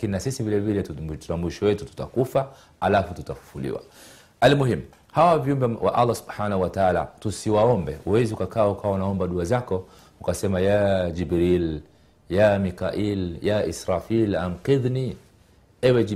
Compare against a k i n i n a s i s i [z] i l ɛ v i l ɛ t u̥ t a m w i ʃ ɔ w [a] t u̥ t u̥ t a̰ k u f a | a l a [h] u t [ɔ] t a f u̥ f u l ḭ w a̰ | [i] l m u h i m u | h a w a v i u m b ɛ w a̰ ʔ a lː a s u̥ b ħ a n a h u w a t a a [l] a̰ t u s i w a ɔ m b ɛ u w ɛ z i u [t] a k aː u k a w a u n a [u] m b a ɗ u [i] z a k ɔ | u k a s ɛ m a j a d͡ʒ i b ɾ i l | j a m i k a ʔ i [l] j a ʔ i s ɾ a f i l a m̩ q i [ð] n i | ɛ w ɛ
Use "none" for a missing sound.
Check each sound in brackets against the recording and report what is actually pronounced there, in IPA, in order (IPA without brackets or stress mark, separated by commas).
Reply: v, ɛ, f, u, a, l, k, ɔ, a, l, ð